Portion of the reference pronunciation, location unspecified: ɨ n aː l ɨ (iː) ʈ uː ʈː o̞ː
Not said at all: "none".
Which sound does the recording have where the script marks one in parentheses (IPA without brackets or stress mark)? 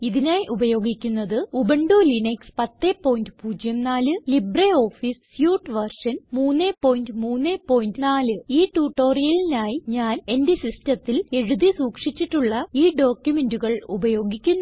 iː